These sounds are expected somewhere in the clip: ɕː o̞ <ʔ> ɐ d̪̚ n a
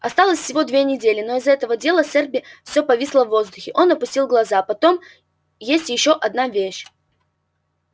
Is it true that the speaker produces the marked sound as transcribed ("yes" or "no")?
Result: yes